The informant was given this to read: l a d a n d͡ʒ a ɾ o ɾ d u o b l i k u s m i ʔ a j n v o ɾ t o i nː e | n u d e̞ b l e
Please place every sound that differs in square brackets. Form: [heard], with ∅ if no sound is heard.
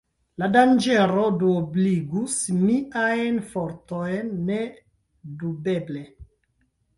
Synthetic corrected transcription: l a d a n d͡ʒ [e] ɾ o [∅] d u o b l i [ɡ] u s m i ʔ a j n [f] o ɾ t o [j] nː e | [d] u [b] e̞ b l e